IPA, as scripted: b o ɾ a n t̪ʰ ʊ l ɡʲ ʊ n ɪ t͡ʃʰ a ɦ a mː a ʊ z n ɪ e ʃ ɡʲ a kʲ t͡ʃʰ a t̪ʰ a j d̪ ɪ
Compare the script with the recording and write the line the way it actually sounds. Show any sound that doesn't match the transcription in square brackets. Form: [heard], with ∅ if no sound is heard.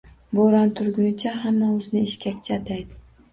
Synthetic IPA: b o ɾ a n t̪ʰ ʊ [ɾ] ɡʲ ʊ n ɪ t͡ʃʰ a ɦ a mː a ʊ z n ɪ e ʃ [kʲ] a kʲ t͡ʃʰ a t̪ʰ a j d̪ ɪ